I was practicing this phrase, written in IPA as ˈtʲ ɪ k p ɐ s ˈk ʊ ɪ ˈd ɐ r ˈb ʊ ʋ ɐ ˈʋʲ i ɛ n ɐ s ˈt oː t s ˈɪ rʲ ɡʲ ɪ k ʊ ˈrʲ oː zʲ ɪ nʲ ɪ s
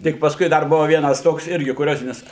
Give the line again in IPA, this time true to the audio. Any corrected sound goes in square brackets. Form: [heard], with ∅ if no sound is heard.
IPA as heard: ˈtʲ ɪ k p ɐ s ˈk ʊ ɪ ˈd ɐ r ˈb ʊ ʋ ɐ ˈʋʲ i ɛ n ɐ s ˈt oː [k] s ˈɪ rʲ ɡʲ ɪ k ʊ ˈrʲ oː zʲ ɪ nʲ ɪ s